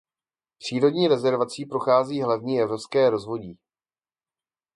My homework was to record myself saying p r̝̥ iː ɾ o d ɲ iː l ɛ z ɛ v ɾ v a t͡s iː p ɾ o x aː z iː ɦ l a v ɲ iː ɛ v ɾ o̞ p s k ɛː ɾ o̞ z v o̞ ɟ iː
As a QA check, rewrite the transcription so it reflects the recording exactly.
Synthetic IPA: p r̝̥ iː ɾ o d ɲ iː ɾ ɛ z ɛ ɾ v a t͡s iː p ɾ o x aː z iː ɦ l a v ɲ iː ɛ v ɾ o̞ p s k ɛː ɾ o̞ z v o̞ ɟ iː